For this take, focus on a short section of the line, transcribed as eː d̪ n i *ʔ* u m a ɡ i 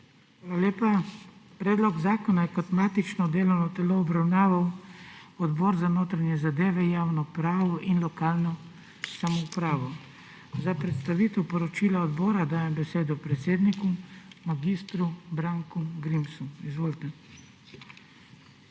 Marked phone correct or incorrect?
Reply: incorrect